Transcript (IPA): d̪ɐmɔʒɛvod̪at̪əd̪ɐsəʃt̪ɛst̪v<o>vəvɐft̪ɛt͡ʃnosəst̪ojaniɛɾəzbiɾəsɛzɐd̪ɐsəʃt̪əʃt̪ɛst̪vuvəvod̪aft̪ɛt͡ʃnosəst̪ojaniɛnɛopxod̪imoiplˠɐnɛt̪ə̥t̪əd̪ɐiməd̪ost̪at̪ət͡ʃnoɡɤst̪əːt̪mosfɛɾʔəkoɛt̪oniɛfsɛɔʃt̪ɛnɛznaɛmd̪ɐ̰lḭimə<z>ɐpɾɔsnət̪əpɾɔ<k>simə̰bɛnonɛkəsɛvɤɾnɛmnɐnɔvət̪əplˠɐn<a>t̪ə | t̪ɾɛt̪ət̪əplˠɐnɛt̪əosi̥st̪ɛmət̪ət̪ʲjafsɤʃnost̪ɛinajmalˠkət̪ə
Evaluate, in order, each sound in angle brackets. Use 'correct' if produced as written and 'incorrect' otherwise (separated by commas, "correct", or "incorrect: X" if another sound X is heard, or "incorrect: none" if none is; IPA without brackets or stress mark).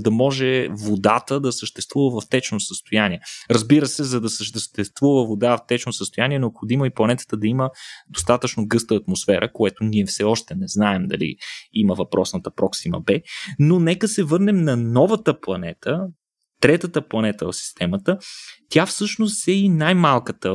incorrect: u, incorrect: v, correct, incorrect: ɛ